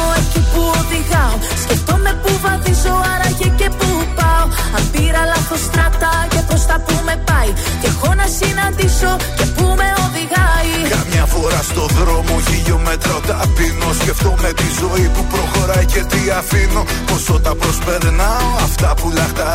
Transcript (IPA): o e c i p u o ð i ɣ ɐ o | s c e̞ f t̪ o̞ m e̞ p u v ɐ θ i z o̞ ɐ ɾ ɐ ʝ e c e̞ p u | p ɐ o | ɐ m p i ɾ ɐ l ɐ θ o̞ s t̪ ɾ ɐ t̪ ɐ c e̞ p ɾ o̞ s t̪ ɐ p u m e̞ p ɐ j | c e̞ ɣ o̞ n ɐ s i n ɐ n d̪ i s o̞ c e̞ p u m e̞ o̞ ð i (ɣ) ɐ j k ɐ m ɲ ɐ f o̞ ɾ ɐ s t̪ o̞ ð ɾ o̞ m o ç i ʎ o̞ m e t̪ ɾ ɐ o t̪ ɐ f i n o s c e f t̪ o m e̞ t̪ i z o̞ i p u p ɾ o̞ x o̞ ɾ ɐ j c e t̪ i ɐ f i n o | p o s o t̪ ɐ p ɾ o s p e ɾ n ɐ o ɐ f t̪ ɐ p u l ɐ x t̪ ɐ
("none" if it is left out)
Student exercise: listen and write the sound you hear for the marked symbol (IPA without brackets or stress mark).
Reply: ɣ